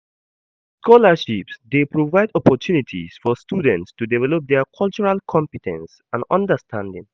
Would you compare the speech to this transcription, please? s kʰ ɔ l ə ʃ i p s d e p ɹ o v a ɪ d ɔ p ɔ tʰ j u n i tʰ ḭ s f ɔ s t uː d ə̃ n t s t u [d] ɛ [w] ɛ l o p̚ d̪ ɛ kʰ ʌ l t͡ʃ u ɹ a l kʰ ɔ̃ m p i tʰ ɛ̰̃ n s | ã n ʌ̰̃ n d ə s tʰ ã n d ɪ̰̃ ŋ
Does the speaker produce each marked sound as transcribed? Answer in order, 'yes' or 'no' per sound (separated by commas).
yes, no